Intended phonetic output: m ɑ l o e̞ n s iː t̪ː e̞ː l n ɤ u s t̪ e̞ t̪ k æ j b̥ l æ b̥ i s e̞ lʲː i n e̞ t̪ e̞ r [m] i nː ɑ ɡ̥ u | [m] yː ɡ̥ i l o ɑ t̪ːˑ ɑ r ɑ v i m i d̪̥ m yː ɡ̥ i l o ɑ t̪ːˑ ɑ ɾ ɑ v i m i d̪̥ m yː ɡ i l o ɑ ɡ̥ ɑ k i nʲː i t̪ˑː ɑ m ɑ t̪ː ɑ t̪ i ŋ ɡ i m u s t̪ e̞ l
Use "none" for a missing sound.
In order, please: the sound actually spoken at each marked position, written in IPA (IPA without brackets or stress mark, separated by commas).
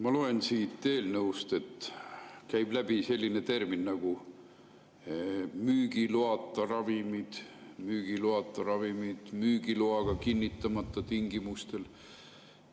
m, m